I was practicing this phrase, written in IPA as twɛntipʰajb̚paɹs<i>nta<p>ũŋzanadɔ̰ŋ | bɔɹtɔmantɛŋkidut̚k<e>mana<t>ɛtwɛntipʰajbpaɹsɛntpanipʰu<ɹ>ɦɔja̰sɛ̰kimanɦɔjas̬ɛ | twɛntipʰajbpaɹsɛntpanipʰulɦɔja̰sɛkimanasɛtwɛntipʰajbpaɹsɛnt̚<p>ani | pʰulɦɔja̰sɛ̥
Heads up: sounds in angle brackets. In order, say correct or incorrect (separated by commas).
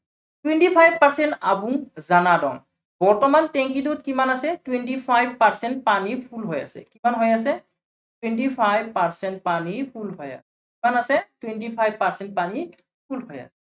incorrect, incorrect, incorrect, incorrect, incorrect, correct